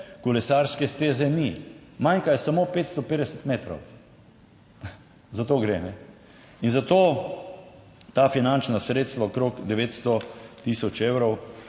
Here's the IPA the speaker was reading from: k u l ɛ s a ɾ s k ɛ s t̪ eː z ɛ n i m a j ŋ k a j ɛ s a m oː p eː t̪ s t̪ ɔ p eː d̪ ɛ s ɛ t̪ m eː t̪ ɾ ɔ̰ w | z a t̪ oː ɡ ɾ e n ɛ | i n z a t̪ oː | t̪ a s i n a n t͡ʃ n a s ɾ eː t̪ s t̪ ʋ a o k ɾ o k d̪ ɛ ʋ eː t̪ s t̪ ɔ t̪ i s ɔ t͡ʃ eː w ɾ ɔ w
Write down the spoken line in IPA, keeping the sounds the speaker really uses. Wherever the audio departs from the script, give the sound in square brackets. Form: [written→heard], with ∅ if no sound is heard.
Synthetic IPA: k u l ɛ s a ɾ s k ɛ s t̪ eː z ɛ n i m a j ŋ k a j ɛ s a m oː p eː t̪ s t̪ ɔ p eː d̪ ɛ s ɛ t̪ m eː t̪ ɾ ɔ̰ w | z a t̪ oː ɡ ɾ e n ɛ | i n z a t̪ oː | t̪ a [s→f] i n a n t͡ʃ n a s ɾ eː t̪ s t̪ ʋ a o k ɾ o k d̪ ɛ ʋ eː t̪ s t̪ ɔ t̪ i s ɔ t͡ʃ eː w ɾ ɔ w